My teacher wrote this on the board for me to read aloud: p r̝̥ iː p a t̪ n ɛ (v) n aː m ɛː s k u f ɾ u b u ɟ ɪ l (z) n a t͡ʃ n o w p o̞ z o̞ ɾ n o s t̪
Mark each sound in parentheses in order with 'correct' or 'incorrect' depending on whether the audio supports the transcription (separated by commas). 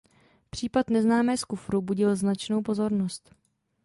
incorrect, correct